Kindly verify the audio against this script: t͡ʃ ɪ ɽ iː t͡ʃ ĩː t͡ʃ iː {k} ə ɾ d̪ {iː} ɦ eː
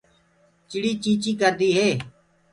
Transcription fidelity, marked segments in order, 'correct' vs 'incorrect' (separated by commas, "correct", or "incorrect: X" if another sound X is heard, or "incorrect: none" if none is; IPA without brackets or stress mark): correct, correct